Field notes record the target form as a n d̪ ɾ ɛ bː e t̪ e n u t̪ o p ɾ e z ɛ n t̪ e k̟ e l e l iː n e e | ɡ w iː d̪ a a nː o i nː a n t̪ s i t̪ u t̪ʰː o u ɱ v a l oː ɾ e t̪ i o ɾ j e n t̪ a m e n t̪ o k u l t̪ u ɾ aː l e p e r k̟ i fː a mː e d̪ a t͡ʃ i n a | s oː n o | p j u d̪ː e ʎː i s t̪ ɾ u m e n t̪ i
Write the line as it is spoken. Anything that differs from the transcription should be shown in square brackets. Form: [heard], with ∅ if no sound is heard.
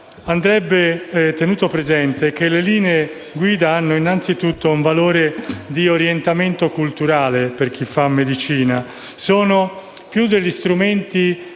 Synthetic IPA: a n d̪ ɾ ɛ bː e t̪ e n [uː] t̪ o p ɾ e z ɛ n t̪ e k̟ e l e l iː n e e | ɡ w iː d̪ a a nː o i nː a n t̪ s i t̪ u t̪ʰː o u ɱ v a l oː ɾ e [d̪] i o ɾ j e n t̪ a m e n t̪ o k u l t̪ u ɾ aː l e p e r k̟ i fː a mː e d̪ [i] t͡ʃ [iː] n a | s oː n o | p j u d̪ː e ʎː i s t̪ ɾ u m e n t̪ i